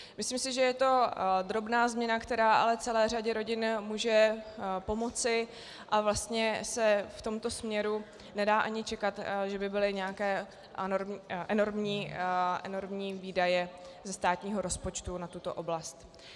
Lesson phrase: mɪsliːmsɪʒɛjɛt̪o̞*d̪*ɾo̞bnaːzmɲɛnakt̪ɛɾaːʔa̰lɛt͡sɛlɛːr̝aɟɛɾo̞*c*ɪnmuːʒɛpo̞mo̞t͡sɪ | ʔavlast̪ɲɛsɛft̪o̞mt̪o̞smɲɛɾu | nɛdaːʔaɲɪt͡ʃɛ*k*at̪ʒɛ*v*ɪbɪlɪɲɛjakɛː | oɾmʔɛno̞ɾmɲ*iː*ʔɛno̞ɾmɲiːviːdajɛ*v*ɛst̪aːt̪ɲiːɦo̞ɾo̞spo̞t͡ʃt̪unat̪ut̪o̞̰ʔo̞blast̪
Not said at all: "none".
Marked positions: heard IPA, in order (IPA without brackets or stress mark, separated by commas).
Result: d̪, ɟ, k, b, iː, z